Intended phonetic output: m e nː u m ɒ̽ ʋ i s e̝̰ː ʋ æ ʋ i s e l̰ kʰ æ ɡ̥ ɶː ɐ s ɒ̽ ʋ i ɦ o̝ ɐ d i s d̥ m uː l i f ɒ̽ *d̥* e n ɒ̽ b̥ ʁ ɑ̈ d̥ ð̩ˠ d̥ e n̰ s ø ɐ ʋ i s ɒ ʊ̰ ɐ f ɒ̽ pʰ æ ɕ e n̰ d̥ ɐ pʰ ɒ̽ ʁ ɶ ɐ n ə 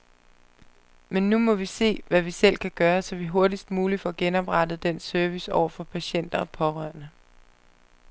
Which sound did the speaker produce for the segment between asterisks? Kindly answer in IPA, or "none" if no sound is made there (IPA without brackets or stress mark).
ɡ̥